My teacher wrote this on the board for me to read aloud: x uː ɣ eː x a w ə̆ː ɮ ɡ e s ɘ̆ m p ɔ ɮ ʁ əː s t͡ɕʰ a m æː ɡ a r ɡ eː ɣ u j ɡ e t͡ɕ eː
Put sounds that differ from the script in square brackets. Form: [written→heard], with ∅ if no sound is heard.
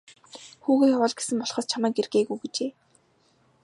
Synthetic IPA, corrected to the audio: x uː ɣ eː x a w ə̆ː ɮ ɡ e s ɘ̆ m p ɔ ɮ [ʁ→χ] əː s t͡ɕʰ a m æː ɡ [a→e] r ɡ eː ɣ u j ɡ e t͡ɕ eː